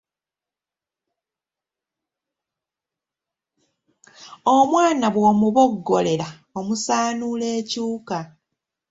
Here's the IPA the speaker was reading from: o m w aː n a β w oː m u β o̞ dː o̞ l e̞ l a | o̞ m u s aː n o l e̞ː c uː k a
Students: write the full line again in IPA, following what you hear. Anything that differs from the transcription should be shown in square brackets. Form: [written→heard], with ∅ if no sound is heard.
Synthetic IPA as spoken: o m w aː n a β w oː m u β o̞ [dː→ɡː] o̞ l e̞ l a | o̞ m u s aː n [o→u] l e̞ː c uː k a